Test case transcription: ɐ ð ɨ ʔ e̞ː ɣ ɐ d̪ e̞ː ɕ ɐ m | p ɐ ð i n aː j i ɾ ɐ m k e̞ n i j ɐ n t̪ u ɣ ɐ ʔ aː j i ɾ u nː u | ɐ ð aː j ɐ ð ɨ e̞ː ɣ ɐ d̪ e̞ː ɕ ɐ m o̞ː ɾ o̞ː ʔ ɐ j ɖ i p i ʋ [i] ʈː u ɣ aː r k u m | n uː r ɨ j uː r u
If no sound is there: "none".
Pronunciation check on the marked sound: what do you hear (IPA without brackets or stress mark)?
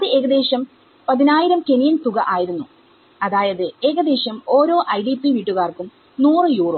iː